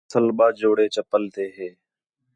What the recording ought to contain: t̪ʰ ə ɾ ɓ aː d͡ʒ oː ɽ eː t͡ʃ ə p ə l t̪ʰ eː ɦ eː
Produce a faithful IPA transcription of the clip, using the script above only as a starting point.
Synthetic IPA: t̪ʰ ə l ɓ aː d͡ʒ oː ɽ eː t͡ʃ ə p ə l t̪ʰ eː ɦ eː